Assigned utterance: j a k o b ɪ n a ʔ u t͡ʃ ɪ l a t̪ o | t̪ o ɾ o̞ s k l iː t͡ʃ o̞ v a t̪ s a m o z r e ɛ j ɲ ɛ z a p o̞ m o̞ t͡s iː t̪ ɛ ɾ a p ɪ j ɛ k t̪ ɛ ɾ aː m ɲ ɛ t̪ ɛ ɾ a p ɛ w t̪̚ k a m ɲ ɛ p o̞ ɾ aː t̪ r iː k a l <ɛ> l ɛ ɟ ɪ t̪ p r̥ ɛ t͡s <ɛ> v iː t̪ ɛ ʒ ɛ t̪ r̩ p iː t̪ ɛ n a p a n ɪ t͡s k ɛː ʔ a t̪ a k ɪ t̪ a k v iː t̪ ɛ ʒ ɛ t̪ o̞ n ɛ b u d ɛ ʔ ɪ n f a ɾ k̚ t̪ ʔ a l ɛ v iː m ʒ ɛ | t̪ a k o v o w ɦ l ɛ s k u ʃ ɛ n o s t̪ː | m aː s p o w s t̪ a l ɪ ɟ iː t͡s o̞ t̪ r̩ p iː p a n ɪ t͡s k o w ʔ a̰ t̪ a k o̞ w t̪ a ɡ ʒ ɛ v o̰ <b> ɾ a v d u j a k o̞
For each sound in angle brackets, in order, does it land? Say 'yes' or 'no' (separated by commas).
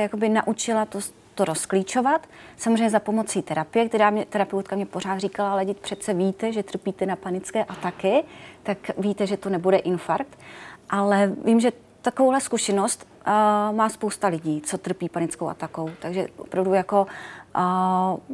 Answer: no, yes, no